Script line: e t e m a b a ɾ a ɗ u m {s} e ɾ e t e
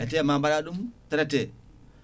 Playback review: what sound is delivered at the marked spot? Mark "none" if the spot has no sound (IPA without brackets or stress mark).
t